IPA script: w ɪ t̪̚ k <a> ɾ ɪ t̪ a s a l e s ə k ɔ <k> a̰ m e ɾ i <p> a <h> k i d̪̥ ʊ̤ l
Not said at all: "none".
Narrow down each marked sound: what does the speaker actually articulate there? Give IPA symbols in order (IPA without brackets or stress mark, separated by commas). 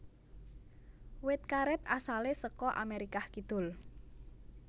a, ʔ, k, h